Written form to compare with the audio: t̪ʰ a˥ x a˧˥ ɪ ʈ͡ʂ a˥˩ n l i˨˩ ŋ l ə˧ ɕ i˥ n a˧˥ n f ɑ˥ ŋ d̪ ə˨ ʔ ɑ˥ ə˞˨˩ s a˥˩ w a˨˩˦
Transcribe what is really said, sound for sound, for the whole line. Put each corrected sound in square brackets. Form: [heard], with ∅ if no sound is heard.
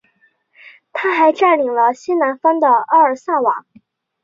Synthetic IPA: t̪ʰ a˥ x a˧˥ ɪ ʈ͡ʂ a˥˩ n l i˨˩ ŋ l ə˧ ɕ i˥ n a˧˥ n f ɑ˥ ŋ d̪ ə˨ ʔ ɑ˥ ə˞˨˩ s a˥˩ w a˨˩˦

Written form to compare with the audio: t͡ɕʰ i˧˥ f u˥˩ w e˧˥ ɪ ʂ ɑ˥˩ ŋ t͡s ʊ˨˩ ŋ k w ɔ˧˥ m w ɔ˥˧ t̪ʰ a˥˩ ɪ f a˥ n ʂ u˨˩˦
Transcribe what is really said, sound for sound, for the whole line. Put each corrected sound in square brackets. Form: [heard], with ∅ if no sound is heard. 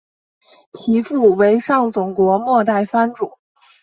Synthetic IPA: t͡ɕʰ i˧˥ f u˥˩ w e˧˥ ɪ ʂ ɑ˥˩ ŋ t͡s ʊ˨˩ ŋ k w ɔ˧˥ m w ɔ˥˧ [t̪] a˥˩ ɪ f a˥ n [ʈ͡ʂ] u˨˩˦

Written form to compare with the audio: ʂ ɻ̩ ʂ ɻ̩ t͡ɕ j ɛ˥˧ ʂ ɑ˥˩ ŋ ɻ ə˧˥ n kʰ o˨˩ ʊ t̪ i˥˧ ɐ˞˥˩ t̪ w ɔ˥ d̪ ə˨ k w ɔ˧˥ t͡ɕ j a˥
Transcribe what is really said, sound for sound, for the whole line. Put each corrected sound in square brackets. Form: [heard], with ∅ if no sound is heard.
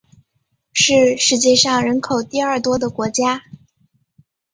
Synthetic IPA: ʂ ɻ̩ ʂ ɻ̩ t͡ɕ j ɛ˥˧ ʂ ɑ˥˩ ŋ ɻ ə˧˥ n kʰ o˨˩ ʊ t̪ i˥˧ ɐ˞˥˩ t̪ w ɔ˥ d̪ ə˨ k w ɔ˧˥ t͡ɕ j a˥

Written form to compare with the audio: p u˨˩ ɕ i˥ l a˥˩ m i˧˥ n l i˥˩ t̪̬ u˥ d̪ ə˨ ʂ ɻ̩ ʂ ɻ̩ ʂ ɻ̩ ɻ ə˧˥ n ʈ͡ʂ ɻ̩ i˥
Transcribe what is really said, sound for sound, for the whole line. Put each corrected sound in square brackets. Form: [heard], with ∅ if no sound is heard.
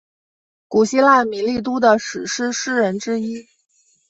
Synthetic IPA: [k] u˨˩ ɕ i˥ l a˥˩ m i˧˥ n l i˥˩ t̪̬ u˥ d̪ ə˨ ʂ ɻ̩ ʂ ɻ̩ ʂ ɻ̩ ɻ ə˧˥ n ʈ͡ʂ ɻ̩ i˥

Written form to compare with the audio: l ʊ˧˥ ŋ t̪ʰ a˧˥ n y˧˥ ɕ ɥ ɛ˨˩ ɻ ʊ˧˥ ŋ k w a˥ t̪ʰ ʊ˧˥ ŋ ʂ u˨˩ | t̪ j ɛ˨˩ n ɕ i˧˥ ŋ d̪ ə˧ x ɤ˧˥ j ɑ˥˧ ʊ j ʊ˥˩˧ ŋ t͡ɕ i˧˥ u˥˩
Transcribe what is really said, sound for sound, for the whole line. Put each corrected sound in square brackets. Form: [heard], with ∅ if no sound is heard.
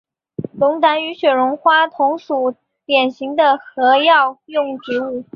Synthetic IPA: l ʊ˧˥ ŋ [t̪] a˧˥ n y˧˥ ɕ ɥ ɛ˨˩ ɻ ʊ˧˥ ŋ [x] w a˥ t̪ʰ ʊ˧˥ ŋ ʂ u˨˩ | t̪ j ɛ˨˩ n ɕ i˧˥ ŋ d̪ ə˧ x ɤ˧˥ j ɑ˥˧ ʊ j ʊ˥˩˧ ŋ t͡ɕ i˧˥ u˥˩

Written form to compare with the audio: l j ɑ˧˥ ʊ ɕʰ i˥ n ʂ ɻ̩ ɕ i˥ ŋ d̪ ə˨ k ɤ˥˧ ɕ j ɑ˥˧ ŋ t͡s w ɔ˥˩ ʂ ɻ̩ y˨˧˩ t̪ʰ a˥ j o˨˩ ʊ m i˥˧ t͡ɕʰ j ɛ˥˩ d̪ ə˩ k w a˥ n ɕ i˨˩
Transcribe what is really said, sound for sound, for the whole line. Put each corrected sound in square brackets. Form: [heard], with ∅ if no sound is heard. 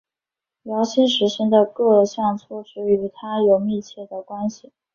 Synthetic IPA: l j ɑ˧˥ ʊ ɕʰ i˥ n ʂ ɻ̩ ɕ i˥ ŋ d̪ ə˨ k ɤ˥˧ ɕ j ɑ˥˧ ŋ [t͡sʰ] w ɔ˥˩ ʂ ɻ̩ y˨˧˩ t̪ʰ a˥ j o˨˩ ʊ m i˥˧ t͡ɕʰ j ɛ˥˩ d̪ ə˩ k w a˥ n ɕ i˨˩

